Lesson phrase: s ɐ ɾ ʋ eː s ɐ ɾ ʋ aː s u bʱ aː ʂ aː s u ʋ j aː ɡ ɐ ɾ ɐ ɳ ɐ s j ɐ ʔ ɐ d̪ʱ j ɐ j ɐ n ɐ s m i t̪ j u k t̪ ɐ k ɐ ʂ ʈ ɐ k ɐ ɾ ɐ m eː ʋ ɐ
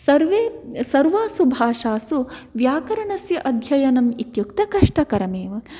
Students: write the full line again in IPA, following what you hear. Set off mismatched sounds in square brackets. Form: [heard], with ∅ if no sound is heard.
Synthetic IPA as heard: s ɐ ɾ ʋ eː s ɐ ɾ ʋ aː s u bʱ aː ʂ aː s u ʋ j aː [k] ɐ ɾ ɐ ɳ ɐ s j ɐ ʔ ɐ d̪ʱ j ɐ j ɐ n ɐ [∅] m i t̪ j u k t̪ ɐ k ɐ ʂ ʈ ɐ k ɐ ɾ ɐ m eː ʋ ɐ